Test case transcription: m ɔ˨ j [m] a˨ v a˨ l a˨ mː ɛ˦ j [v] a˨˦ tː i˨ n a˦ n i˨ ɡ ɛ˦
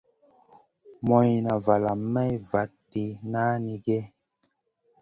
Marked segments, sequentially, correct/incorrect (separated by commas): incorrect, correct